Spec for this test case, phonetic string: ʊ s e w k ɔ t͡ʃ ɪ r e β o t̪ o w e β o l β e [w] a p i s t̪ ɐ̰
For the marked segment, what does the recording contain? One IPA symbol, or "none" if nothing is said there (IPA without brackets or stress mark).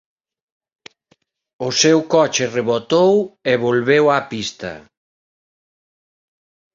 w